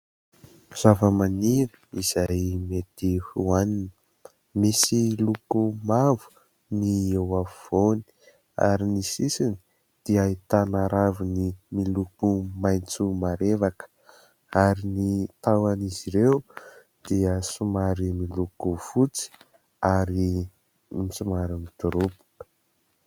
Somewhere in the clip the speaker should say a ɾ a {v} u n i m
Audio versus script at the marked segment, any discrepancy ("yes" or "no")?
no